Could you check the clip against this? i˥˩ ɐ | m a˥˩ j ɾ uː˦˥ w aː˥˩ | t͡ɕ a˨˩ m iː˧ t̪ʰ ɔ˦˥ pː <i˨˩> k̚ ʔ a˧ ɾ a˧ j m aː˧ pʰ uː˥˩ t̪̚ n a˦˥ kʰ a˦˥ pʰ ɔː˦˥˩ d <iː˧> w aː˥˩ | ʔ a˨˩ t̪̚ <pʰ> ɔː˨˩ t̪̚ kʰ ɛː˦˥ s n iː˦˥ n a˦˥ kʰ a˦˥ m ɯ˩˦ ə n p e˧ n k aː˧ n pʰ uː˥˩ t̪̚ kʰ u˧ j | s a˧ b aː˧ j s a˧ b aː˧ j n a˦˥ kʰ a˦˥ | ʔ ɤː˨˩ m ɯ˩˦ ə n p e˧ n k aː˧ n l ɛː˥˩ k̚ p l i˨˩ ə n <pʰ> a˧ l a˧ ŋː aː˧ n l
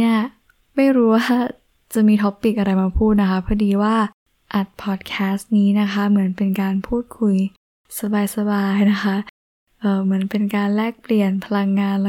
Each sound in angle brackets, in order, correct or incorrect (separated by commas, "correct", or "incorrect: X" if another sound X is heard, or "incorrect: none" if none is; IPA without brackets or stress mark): correct, correct, correct, correct